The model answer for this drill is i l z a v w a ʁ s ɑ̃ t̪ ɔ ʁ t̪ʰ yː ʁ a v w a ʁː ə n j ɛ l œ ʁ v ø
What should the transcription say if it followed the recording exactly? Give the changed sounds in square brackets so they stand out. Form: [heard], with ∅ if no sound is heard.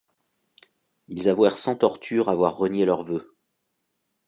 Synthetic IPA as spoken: i l z a v w [ɛ] ʁ s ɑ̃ t̪ ɔ ʁ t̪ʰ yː ʁ a v w a ʁː ə n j [e] l œ ʁ v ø